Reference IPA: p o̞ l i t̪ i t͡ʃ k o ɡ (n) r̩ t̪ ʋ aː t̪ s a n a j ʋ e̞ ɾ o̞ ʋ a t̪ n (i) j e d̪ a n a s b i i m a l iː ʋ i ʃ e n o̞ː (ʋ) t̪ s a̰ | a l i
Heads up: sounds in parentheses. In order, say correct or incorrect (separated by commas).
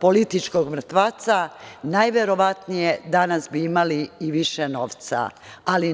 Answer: incorrect, correct, correct